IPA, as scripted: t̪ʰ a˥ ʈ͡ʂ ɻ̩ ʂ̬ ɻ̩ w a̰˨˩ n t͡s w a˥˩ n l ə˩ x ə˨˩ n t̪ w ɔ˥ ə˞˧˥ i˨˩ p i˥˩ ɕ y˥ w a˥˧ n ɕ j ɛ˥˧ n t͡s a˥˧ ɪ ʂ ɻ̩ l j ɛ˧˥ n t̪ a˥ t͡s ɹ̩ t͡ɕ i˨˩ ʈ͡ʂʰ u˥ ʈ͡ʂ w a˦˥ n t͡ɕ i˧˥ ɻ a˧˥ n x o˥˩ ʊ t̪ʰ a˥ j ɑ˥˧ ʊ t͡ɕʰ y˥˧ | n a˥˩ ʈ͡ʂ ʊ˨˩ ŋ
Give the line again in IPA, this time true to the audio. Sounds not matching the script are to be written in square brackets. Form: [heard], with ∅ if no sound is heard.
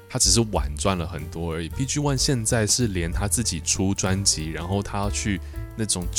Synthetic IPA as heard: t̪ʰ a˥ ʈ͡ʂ ɻ̩ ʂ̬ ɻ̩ w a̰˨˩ n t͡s w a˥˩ n l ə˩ x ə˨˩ n t̪ w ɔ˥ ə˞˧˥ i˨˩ p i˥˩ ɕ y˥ w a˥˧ n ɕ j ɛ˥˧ n t͡s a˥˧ ɪ ʂ ɻ̩ l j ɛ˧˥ n [t̪ʰ] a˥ t͡s ɹ̩ t͡ɕ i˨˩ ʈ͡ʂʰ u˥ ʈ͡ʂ w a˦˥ n t͡ɕ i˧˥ ɻ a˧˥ n x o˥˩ ʊ t̪ʰ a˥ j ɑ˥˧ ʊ t͡ɕʰ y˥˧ | n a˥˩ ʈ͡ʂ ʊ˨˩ ŋ